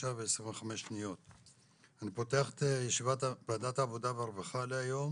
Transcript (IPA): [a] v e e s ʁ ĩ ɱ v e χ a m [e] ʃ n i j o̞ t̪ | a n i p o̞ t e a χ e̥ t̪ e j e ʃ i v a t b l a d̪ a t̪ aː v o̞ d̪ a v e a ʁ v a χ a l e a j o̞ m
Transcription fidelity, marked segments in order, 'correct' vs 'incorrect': correct, correct

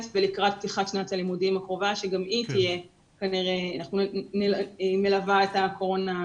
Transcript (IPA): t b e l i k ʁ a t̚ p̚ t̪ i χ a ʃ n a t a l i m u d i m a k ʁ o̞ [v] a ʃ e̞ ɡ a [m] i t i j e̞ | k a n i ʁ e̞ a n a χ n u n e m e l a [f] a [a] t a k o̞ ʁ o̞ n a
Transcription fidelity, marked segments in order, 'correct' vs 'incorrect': correct, correct, incorrect: v, incorrect: e

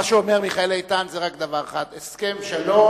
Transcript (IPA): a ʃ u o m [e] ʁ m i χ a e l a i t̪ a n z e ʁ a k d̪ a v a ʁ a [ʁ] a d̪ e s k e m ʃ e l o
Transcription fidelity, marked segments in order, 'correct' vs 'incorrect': correct, incorrect: χ

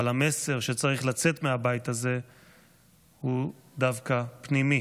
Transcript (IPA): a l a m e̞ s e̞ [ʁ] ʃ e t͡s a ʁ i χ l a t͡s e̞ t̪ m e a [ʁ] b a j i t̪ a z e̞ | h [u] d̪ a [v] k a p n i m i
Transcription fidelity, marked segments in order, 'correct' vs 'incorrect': correct, incorrect: none, correct, correct

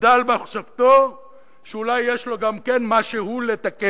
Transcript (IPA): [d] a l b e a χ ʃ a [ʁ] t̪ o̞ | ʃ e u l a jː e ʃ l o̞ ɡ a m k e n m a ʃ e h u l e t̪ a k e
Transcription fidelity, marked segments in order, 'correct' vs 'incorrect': correct, incorrect: v

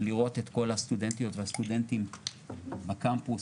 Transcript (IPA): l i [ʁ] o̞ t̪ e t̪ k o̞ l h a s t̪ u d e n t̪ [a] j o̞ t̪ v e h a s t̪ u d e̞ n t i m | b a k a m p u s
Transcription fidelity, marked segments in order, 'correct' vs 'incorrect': correct, incorrect: i

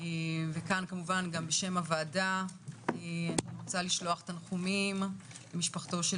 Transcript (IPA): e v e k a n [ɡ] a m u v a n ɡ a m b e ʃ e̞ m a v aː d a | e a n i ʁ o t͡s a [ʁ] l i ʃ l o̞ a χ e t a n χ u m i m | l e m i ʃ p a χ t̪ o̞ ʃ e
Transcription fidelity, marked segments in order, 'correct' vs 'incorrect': incorrect: k, incorrect: none

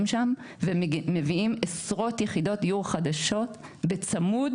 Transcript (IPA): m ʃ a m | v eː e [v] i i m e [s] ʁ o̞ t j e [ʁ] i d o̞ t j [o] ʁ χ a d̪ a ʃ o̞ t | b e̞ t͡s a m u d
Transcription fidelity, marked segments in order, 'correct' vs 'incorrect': correct, correct, incorrect: χ, incorrect: u

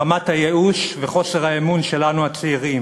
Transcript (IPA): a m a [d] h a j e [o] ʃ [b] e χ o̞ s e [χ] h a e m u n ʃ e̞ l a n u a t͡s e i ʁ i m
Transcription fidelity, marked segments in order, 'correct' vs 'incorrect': incorrect: t, incorrect: u, incorrect: v, incorrect: ʁ

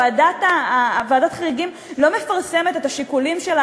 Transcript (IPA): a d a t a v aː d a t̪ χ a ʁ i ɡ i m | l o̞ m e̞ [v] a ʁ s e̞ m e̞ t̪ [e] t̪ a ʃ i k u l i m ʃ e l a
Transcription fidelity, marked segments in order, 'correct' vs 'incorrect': incorrect: f, correct

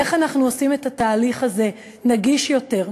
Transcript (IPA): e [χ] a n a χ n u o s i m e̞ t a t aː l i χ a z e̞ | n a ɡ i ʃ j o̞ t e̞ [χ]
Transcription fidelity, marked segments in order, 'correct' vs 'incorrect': correct, incorrect: ʁ

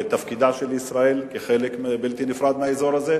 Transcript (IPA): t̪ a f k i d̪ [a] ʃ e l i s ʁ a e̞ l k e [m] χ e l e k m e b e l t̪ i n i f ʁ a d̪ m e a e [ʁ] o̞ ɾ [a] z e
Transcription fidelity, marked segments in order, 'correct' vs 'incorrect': correct, incorrect: none, incorrect: z, correct

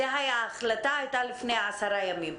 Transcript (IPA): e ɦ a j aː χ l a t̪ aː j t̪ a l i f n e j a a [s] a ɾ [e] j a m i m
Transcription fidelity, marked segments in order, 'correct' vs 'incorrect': correct, incorrect: a

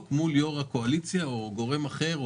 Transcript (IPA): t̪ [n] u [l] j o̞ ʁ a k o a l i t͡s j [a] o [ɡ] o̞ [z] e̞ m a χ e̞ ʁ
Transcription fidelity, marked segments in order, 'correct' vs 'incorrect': incorrect: m, correct, correct, correct, incorrect: ʁ

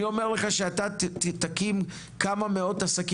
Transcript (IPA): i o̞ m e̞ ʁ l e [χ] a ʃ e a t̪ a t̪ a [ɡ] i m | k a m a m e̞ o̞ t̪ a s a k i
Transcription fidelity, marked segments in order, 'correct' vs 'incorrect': correct, incorrect: k

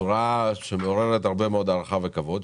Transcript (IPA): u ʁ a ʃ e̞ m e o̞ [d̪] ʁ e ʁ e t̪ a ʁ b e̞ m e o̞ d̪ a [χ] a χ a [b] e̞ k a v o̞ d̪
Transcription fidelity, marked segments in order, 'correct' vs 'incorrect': incorrect: none, incorrect: ʁ, incorrect: v

